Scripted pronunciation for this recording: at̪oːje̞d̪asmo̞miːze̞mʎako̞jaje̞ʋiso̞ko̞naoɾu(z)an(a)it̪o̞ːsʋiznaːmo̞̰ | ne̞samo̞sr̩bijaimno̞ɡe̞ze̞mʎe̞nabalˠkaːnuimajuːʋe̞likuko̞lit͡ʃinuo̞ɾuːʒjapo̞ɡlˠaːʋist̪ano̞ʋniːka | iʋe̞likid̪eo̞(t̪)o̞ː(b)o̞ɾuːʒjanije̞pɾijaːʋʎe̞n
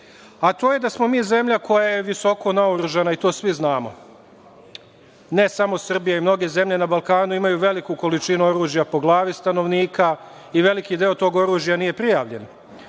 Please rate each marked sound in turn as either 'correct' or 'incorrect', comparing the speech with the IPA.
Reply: incorrect: ʒ, correct, correct, incorrect: ɡ

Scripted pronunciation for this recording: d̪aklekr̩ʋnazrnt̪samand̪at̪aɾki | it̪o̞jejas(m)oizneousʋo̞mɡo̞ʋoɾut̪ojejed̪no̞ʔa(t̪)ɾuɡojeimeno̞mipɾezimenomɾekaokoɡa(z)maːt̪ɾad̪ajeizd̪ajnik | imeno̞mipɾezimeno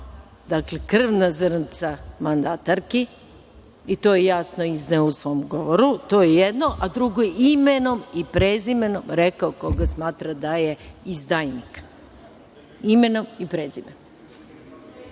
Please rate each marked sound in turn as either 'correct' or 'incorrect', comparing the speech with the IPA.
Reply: incorrect: n, incorrect: d̪, incorrect: s

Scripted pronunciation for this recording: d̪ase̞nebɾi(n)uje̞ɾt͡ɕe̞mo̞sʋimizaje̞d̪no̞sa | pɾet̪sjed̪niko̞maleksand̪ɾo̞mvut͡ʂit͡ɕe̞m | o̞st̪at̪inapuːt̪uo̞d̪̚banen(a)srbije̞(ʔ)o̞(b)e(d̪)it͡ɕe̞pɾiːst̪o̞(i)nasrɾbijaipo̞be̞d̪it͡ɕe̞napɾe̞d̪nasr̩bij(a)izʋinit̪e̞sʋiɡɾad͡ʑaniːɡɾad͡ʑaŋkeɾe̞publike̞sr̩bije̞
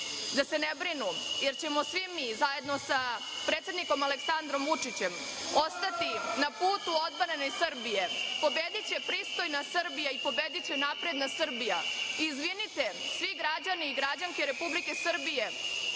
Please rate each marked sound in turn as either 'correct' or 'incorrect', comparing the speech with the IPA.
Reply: correct, incorrect: e, incorrect: p, correct, correct, incorrect: j, correct

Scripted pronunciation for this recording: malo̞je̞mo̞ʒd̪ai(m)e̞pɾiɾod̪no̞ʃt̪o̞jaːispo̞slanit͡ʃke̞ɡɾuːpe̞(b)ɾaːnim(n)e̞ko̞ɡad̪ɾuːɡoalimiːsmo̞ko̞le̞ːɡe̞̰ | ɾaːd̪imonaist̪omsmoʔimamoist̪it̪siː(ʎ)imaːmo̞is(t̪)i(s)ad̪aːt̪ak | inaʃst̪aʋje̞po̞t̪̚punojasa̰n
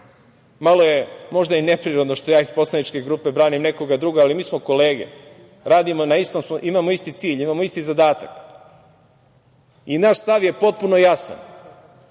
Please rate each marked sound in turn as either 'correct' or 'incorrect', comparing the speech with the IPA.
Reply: incorrect: n, correct, correct, correct, correct, incorrect: z

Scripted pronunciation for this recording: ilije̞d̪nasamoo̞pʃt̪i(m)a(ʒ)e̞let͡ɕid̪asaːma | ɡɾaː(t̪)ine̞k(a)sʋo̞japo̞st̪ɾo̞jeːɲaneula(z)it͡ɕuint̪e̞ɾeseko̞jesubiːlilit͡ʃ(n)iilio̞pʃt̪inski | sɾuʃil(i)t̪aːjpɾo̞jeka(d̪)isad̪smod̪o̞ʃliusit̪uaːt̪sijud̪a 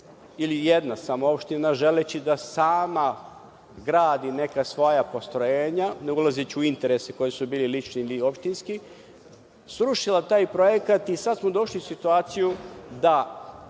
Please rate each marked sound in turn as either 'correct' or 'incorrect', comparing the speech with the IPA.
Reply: incorrect: n, correct, incorrect: d̪, correct, correct, correct, incorrect: a, incorrect: t̪

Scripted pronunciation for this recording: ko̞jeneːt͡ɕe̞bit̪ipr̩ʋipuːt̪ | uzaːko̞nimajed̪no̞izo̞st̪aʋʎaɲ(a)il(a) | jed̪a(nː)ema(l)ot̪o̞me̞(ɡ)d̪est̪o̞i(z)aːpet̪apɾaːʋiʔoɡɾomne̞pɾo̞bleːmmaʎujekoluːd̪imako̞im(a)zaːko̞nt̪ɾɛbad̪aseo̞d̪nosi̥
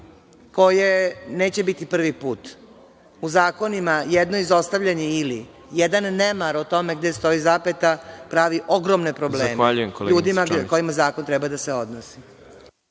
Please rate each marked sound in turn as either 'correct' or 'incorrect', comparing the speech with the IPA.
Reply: incorrect: e, incorrect: i, correct, incorrect: ɾ, correct, correct, correct

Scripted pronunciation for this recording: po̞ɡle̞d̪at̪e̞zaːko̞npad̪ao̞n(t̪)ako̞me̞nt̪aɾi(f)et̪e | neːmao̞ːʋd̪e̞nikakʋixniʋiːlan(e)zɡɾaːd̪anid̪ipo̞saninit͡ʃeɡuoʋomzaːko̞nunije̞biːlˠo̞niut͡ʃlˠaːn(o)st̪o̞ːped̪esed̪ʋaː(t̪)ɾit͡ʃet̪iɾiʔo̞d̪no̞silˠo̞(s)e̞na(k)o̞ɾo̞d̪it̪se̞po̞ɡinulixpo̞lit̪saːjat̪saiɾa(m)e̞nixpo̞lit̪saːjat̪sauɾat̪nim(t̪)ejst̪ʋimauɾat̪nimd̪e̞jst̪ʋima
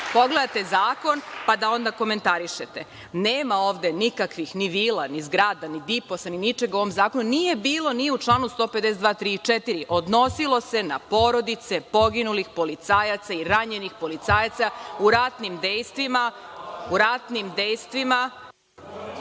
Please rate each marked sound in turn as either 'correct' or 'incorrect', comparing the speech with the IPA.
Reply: incorrect: d̪, incorrect: ʃ, incorrect: i, incorrect: u, correct, correct, incorrect: p, incorrect: ɲ, incorrect: d̪

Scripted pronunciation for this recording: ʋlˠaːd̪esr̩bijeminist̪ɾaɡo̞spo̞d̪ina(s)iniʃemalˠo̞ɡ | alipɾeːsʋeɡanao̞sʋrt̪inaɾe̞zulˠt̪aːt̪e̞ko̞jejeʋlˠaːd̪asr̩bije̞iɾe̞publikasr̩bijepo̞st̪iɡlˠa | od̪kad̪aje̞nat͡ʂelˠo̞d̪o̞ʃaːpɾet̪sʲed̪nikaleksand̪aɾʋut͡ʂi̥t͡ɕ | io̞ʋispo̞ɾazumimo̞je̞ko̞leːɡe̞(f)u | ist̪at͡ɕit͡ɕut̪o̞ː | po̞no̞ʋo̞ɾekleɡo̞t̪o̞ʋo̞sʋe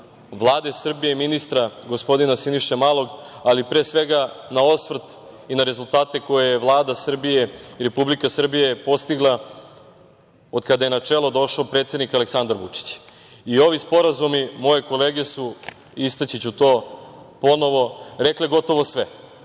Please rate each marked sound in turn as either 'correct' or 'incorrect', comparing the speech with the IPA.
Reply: correct, incorrect: s

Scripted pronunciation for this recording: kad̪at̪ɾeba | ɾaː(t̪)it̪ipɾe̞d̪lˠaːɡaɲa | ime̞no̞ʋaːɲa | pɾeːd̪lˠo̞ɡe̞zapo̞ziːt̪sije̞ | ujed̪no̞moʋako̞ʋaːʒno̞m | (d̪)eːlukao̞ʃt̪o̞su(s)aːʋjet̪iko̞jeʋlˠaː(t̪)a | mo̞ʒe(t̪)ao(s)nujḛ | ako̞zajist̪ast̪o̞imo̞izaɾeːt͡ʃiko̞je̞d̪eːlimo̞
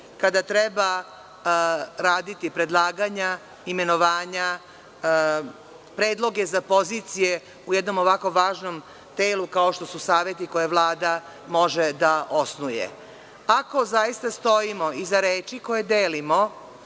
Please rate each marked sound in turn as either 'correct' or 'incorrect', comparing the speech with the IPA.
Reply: incorrect: d̪, incorrect: t̪, correct, incorrect: d̪, incorrect: d̪, correct

